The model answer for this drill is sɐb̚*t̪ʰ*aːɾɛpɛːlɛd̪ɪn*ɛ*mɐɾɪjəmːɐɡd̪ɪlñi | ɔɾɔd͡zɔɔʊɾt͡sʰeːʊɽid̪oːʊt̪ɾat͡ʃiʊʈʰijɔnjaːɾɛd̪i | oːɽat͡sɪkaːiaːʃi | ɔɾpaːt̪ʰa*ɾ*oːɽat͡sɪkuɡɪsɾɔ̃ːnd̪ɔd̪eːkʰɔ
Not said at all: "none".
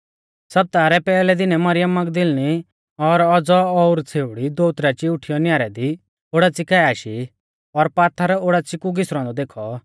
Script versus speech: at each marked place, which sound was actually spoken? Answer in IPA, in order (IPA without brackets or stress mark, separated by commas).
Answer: t̪, ɛ, ɾ